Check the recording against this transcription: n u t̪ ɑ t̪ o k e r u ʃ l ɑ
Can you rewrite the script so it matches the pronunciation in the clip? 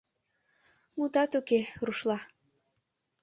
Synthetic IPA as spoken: m u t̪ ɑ t̪ u k e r u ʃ l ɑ